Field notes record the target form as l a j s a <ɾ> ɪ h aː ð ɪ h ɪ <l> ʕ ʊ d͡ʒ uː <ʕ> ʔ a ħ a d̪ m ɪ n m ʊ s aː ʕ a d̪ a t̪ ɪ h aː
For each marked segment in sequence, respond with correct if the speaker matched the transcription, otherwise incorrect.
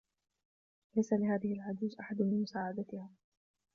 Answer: incorrect: l, correct, incorrect: z

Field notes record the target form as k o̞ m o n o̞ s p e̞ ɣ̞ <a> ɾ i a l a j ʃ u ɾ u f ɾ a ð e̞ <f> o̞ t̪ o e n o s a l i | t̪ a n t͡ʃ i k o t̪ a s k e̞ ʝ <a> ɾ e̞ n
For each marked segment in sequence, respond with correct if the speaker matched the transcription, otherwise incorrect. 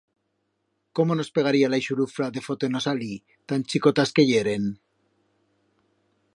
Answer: correct, correct, incorrect: e

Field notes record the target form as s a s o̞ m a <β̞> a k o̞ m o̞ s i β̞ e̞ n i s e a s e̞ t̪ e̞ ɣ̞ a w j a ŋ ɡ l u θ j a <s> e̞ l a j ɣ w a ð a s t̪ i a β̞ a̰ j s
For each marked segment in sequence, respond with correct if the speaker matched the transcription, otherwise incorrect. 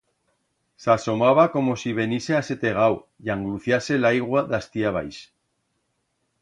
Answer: correct, correct

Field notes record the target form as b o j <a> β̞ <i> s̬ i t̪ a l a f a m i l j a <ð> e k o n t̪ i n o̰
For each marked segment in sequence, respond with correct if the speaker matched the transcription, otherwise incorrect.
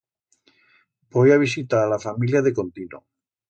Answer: correct, correct, correct

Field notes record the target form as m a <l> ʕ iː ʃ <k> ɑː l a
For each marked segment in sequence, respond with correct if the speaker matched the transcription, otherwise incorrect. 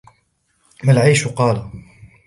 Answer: correct, incorrect: q

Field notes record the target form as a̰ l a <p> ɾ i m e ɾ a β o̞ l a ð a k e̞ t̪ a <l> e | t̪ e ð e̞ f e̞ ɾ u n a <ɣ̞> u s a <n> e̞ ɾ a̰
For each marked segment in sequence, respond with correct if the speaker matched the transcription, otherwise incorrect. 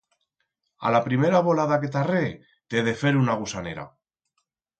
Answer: correct, incorrect: r, correct, correct

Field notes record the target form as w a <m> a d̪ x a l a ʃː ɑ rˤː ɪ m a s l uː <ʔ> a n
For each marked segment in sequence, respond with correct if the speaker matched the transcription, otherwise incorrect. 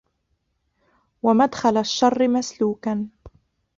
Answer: correct, incorrect: k

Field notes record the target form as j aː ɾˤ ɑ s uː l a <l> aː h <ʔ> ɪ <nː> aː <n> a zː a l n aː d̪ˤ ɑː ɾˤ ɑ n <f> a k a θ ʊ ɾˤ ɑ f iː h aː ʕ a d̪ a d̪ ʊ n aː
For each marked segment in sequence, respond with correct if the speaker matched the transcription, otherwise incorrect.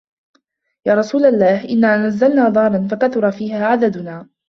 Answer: incorrect: lː, correct, correct, correct, correct

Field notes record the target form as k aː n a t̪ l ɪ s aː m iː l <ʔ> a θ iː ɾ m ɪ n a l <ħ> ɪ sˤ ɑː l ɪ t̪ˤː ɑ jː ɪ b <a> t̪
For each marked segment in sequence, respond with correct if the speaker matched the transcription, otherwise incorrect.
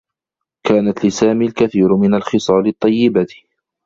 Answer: incorrect: k, incorrect: x, correct

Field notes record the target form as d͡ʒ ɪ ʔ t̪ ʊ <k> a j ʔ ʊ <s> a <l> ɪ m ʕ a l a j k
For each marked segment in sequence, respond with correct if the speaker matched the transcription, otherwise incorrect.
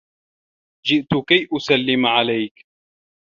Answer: correct, correct, incorrect: lː

